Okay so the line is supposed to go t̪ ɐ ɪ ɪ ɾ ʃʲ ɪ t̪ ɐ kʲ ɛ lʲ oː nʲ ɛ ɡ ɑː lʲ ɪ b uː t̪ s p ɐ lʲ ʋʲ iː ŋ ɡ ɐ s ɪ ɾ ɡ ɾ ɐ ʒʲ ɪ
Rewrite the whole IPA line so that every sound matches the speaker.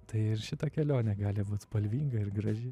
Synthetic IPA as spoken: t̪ ɐ ɪ ɪ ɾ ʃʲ ɪ t̪ ɐ kʲ ɛ lʲ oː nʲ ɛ ɡ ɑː lʲ ɪ b uː t̪ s p ɐ lʲ ʋʲ iː ŋ ɡ ɐ ɪ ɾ ɡ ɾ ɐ ʒʲ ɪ

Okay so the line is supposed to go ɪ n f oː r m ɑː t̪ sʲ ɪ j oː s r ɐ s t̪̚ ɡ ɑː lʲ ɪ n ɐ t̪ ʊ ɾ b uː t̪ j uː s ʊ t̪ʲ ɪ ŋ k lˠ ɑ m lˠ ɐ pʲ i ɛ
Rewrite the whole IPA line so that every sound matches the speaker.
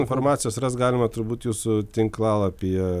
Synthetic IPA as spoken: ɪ n f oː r m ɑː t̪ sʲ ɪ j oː s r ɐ s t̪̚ ɡ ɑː lʲ ɪ m ɐ t̪ ʊ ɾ b uː t̪ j uː s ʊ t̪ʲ ɪ ŋ k lˠ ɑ lˠ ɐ pʲ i ɛ

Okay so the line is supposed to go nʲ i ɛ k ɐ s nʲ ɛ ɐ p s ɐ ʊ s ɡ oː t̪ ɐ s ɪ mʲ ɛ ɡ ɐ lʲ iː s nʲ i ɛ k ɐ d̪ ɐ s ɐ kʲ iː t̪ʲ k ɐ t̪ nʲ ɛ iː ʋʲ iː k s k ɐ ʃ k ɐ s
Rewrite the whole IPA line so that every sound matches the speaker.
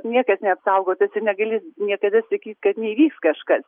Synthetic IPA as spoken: nʲ i ɛ k ɐ s nʲ ɛ ɐ p s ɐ ʊ ɡ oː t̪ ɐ s ɪ nʲ ɛ ɡ ɐ lʲ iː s nʲ i ɛ k ɐ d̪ ɐ s ɐ kʲ iː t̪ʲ k ɐ t̪ nʲ ɛ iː ʋʲ iː k s k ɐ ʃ k ɐ s

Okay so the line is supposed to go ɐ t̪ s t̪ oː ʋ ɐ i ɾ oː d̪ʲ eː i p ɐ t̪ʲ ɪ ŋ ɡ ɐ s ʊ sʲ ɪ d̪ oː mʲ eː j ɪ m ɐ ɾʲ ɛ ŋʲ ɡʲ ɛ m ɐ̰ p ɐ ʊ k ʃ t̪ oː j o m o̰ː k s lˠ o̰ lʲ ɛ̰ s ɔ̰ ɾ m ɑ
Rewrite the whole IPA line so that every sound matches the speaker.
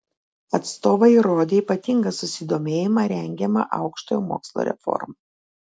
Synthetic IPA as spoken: ɐ t̪ s t̪ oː ʋ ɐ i ɾ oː d̪ʲ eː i p ɐ t̪ʲ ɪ ŋ ɡ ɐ s ʊ sʲ ɪ d̪ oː mʲ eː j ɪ m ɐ ɾʲ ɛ ŋʲ ɡʲ ɛ m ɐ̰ ʔ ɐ ʊ k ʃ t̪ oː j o m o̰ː k s lˠ o̰ ɾʲ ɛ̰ f ɔ̰ ɾ m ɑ

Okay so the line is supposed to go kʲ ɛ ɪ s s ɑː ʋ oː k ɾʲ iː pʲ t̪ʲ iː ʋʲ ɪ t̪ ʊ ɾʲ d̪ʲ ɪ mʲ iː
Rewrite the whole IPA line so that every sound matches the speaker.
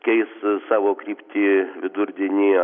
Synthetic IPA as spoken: kʲ ɛ ɪ s s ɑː ʋ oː k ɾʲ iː pʲ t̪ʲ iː ʋʲ ɪ d̪ ʊ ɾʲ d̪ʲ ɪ nʲ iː

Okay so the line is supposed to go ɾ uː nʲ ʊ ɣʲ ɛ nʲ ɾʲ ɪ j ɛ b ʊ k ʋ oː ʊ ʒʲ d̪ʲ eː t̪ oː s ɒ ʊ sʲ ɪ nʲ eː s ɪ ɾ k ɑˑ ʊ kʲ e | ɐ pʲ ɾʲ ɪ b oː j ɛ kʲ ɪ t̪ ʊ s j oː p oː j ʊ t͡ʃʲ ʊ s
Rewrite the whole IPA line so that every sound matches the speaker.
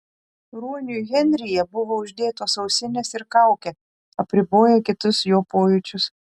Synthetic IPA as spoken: ɾ uː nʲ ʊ ɣʲ ɛ nʲ ɾʲ ɪ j ɛ b ʊ ʋ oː ʊ ʒʲ d̪ʲ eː t̪ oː s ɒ ʊ sʲ ɪ nʲ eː s ɪ ɾ k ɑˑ ʊ kʲ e | ɐ pʲ ɾʲ ɪ b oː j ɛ kʲ ɪ t̪ ʊ s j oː p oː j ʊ t͡ʃʲ ʊ s

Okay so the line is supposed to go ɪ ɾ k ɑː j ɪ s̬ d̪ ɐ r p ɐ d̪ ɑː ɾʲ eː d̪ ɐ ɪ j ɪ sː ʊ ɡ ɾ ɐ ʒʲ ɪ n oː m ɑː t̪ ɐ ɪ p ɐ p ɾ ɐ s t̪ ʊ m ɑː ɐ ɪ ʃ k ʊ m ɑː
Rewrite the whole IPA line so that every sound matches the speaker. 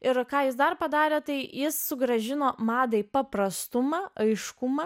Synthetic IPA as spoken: ɪ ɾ k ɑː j ɪ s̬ d̪ ɐ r p ɐ d̪ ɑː ɾʲ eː t̪ ɐ ɪ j ɪ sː ʊ ɡ ɾ ɐ ʒʲ ɪ n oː m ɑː d̪ ɐ ɪ p ɐ p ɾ ɐ s t̪ ʊ m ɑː ɐ ɪ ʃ k ʊ m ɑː

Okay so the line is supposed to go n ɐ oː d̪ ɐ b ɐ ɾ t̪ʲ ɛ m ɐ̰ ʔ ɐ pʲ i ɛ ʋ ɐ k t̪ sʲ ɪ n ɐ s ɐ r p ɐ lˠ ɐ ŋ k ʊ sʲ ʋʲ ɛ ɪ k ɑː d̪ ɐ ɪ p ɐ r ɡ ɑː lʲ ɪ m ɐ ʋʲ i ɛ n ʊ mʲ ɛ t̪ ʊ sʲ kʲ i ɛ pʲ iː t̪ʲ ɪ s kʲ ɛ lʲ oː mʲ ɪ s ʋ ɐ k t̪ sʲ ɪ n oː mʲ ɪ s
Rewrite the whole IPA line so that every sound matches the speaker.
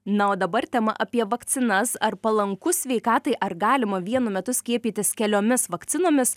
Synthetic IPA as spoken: n ɐ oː d̪ ɐ b ɐ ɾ t̪ʲ ɛ m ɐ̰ ʔ ɐ pʲ i ɛ ʋ ɐ k t̪ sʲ ɪ n ɐ s ɐ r p ɐ lˠ ɐ ŋ k ʊ sʲ ʋʲ ɛ ɪ k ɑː t̪ ɐ ɪ ʔ ɐ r ɡ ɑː lʲ ɪ m ɐ ʋʲ i ɛ n ʊ mʲ ɛ t̪ ʊ sʲ kʲ i ɛ pʲ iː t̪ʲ ɪ s kʲ ɛ lʲ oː mʲ ɪ s ʋ ɐ k t̪ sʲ ɪ n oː mʲ ɪ s

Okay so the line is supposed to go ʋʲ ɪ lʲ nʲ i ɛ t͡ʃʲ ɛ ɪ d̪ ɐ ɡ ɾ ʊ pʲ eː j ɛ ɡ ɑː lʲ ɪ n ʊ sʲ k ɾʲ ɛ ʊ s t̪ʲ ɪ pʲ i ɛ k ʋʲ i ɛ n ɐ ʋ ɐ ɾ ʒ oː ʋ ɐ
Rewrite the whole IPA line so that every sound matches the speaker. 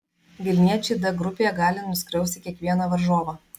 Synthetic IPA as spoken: ʋʲ ɪ lʲ nʲ i ɛ t͡ʃʲ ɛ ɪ d̪ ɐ ɡ ɾ ʊ pʲ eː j ɛ ɡ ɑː lʲ ɪ n ʊ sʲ k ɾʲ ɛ ʊ s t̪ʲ ɪ kʲ i ɛ k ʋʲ i ɛ n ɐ ʋ ɐ ɾ ʒ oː ʋ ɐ

